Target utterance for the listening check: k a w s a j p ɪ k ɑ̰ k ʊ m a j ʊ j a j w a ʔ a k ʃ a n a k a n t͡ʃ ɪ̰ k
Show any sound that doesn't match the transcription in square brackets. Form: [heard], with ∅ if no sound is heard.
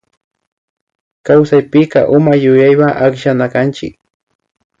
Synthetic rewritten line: k a w s a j p ɪ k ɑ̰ [ʔ] ʊ m a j ʊ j a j w a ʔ a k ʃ a n a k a n t͡ʃ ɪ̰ k